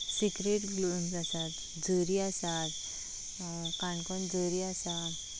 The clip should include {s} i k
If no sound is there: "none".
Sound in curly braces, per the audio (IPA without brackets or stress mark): s